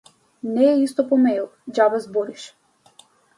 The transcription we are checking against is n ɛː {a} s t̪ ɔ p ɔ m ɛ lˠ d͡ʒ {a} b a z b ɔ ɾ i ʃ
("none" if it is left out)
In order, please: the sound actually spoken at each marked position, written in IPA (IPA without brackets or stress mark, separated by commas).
i, a